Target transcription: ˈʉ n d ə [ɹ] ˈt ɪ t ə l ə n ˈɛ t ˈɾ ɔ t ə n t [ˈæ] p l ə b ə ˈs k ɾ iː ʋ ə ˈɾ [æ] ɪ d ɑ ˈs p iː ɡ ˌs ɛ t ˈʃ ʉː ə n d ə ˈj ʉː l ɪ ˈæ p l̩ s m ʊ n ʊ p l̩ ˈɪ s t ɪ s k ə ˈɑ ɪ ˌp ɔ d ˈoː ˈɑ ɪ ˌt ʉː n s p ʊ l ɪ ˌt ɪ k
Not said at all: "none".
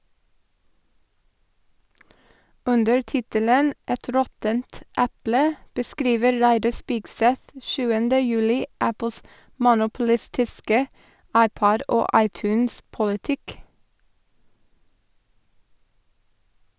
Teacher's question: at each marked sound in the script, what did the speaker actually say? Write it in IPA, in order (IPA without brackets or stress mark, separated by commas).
ɹ, æ, æ